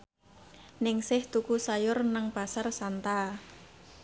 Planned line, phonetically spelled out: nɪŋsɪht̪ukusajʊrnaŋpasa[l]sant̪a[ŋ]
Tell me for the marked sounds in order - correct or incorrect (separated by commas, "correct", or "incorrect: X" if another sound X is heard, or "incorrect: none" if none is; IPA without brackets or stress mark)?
incorrect: r, incorrect: none